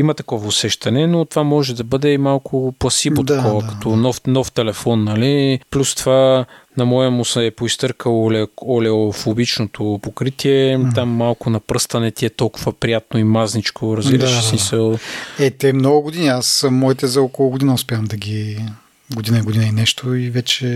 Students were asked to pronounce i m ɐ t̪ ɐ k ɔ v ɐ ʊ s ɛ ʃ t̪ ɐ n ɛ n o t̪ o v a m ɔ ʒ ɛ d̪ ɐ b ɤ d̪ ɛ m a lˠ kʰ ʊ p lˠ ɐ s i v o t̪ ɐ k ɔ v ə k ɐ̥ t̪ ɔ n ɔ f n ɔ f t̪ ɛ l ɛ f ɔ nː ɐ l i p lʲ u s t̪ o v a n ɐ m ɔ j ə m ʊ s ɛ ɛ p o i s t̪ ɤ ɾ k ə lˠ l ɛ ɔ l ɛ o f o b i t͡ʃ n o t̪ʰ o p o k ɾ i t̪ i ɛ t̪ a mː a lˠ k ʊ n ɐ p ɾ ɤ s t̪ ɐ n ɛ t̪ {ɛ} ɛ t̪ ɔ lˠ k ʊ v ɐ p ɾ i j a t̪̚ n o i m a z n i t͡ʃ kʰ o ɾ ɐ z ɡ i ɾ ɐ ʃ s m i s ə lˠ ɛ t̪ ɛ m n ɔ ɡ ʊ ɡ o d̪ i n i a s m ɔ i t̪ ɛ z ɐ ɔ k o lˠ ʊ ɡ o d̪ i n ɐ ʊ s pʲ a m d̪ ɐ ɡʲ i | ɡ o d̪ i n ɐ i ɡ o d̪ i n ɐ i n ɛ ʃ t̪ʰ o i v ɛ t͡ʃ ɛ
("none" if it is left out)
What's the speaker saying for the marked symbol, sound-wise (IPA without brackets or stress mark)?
i